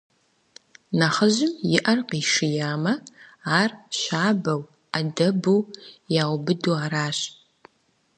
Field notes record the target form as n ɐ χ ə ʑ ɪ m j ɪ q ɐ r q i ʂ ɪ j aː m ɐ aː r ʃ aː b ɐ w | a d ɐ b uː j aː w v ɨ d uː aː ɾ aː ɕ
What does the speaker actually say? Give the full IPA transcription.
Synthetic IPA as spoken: n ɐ χ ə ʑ ɪ m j ɪ ʔ ɐ r q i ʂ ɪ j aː m ɐ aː r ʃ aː b ɐ w | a d ɐ b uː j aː w b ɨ d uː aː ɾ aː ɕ